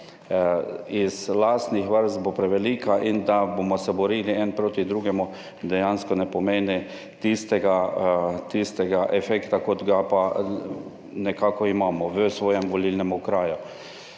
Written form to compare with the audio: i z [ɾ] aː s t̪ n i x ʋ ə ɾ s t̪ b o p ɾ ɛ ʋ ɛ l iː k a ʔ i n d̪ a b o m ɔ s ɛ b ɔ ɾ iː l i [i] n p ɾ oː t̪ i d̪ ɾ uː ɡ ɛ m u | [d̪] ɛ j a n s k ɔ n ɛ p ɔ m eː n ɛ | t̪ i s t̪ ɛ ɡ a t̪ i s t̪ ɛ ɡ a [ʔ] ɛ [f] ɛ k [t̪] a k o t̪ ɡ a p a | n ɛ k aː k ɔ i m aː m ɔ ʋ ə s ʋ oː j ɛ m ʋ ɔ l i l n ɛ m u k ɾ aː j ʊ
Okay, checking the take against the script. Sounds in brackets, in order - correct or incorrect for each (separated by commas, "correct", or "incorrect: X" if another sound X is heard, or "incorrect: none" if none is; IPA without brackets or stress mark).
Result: incorrect: l, incorrect: ɛ, correct, correct, correct, correct